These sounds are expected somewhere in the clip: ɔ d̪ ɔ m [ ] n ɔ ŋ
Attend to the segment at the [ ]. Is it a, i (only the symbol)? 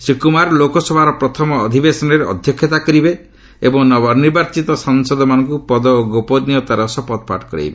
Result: a